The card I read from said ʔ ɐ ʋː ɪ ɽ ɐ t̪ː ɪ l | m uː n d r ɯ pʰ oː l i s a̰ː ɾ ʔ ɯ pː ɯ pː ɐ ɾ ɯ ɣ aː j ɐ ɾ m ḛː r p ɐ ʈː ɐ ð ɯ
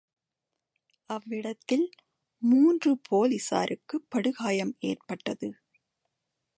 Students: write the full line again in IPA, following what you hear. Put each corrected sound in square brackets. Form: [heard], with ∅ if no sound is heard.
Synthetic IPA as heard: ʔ ɐ ʋː ɪ ɽ ɐ t̪ː ɪ l | m uː n d r ɯ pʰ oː l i s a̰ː ɾ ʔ ɯ [kː] ɯ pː ɐ [ɽ] ɯ ɣ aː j ɐ [∅] m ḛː r p ɐ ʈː ɐ ð ɯ